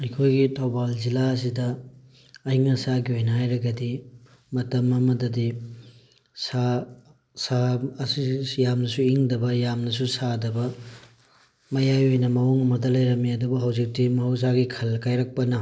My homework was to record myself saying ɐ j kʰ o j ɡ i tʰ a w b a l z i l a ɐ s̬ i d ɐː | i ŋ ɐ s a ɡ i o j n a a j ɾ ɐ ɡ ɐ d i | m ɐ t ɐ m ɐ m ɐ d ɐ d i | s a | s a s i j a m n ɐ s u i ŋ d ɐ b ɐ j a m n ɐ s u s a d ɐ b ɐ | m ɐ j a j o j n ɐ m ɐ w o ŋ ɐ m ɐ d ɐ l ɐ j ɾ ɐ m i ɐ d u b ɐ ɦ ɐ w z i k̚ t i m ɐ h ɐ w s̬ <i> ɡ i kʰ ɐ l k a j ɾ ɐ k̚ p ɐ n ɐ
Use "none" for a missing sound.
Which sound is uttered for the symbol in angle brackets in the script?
a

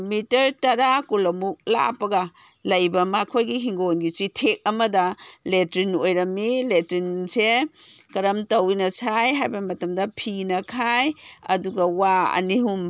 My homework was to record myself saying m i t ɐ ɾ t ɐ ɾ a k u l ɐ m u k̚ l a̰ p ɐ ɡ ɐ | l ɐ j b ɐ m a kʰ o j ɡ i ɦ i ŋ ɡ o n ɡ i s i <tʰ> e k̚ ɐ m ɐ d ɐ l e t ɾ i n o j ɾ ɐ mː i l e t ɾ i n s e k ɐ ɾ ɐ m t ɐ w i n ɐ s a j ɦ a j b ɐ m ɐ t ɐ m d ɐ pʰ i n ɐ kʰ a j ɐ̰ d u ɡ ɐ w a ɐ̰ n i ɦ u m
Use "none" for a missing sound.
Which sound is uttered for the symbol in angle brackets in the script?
tʰ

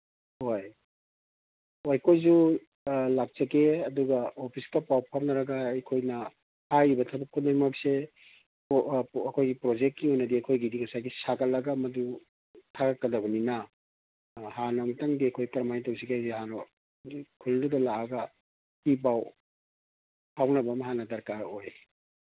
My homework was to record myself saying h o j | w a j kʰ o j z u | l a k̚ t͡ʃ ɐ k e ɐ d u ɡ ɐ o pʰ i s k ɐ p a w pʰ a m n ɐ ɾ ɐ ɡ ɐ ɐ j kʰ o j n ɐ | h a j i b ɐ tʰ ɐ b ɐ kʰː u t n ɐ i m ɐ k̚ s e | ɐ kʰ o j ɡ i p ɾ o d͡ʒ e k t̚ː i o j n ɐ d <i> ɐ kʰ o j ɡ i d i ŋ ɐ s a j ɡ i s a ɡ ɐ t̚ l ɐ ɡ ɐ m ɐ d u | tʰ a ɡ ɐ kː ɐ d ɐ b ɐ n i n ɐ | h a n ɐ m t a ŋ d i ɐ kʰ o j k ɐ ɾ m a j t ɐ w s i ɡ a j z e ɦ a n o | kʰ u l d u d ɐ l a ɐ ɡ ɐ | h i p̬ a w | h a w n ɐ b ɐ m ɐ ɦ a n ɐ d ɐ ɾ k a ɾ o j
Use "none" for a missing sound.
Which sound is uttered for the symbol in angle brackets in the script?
i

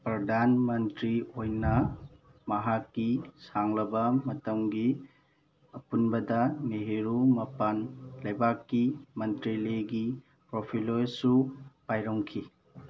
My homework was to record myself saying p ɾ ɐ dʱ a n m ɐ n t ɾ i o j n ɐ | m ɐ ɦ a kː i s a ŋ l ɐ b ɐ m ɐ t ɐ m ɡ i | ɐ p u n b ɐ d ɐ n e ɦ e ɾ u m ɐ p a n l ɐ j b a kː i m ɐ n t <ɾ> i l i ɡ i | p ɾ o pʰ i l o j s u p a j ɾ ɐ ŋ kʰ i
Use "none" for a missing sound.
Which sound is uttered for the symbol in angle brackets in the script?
ɾ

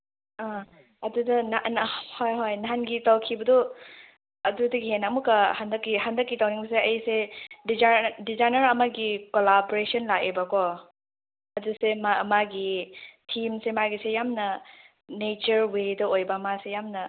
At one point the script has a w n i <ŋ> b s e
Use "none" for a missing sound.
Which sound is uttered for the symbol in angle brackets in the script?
ŋ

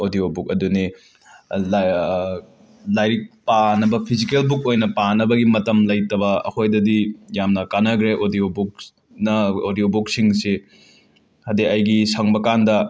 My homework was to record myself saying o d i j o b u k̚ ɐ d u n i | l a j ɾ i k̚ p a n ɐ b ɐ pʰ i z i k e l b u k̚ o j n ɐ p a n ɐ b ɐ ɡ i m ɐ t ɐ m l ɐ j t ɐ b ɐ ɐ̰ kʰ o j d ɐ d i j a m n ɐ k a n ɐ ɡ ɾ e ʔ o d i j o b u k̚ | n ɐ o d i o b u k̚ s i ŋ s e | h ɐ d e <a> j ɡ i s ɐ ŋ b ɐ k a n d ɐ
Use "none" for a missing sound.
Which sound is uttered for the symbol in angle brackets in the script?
ɐ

